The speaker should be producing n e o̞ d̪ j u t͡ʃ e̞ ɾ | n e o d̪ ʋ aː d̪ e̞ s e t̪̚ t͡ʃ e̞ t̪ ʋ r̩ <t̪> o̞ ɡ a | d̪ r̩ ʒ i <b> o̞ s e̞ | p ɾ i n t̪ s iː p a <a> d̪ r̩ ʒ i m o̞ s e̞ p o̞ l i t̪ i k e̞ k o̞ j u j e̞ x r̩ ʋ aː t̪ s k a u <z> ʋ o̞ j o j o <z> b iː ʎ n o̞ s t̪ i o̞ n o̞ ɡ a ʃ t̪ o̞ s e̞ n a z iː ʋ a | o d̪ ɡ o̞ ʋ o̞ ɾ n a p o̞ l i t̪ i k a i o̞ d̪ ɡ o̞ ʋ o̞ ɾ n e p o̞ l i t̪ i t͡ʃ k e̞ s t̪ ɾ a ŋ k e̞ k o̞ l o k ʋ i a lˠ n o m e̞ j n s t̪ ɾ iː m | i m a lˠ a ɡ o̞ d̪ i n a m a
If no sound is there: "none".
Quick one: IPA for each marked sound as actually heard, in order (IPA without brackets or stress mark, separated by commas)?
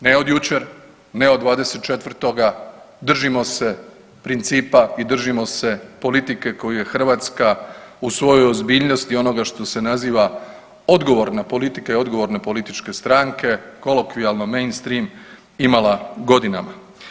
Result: t̪, m, i, s, z